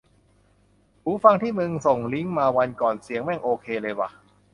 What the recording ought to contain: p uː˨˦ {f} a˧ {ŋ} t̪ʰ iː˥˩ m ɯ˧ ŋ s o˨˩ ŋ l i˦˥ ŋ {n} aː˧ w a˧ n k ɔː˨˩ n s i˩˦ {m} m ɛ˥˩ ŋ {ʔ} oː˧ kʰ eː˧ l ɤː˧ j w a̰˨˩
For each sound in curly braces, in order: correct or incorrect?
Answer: correct, correct, incorrect: m, incorrect: ŋ, correct

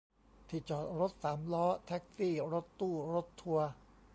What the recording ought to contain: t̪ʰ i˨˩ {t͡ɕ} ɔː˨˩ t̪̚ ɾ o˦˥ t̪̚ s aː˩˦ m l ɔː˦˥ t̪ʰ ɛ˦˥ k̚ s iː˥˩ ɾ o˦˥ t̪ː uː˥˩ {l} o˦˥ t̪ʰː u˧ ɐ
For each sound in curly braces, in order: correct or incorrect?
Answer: correct, incorrect: ɾ

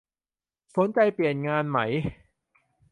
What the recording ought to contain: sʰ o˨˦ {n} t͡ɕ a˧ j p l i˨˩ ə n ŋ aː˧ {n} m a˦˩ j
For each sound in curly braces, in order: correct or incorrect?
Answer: correct, correct

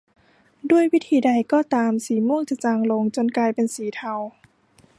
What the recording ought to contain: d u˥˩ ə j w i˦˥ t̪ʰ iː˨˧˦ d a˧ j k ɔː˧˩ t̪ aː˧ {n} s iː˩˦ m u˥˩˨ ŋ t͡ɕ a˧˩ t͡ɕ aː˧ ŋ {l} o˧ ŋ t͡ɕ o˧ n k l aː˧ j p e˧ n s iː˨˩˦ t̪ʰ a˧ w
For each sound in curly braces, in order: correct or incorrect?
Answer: incorrect: m, correct

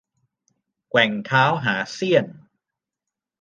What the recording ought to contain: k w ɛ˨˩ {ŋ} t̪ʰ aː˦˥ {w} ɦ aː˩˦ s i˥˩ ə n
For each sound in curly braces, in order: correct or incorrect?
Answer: correct, correct

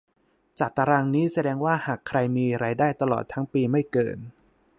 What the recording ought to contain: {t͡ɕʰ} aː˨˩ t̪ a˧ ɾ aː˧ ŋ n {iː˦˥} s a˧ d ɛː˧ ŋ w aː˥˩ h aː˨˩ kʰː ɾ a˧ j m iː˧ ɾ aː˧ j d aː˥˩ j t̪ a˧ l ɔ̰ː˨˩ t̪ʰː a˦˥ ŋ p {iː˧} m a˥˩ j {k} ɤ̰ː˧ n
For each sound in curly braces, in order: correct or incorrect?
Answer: incorrect: t͡ɕ, correct, correct, correct

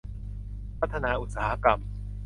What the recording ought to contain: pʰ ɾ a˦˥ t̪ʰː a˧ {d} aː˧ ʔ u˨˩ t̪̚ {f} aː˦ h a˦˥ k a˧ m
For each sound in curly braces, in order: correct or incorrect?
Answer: incorrect: n, incorrect: s

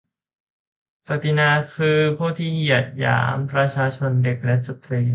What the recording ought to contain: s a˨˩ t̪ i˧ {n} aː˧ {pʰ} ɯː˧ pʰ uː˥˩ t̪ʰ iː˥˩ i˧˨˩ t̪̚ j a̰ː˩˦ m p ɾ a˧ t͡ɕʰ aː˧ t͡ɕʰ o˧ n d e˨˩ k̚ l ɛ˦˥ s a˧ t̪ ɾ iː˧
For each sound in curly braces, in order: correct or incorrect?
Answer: correct, incorrect: kʰ

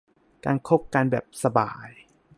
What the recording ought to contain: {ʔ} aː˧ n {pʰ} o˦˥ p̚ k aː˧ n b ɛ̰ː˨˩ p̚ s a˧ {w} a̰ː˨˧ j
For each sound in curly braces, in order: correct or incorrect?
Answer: incorrect: k, incorrect: kʰ, incorrect: b

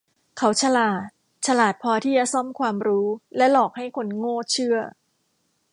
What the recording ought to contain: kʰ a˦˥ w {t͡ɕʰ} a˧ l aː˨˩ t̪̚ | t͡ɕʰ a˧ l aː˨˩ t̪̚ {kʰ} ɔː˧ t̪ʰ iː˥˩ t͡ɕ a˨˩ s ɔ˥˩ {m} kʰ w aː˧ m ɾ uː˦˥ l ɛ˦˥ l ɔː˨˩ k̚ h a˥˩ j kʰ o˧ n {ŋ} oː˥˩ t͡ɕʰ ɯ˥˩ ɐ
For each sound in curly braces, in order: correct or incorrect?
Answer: correct, incorrect: pʰ, correct, correct

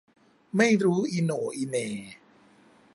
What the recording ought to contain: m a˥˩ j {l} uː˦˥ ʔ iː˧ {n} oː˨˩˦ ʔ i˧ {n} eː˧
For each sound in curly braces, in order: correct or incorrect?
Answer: incorrect: ɾ, correct, correct

